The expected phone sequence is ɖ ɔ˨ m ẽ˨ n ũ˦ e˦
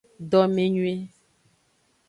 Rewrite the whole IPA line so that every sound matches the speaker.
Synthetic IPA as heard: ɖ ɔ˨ m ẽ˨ ɲ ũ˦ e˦